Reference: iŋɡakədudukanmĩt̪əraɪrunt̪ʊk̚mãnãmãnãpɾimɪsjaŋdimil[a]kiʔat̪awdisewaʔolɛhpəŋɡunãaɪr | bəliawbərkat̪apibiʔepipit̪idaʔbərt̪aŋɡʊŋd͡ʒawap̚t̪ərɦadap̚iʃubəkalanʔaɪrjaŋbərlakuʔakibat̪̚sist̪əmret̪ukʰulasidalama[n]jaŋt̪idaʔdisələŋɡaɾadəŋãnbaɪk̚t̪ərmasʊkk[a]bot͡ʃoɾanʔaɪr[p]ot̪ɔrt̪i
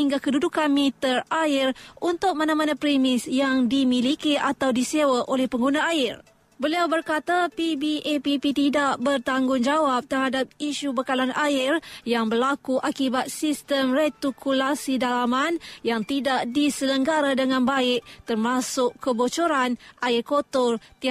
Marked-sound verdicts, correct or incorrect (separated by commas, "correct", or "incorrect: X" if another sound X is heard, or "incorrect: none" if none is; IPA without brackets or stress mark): incorrect: i, correct, incorrect: ə, incorrect: k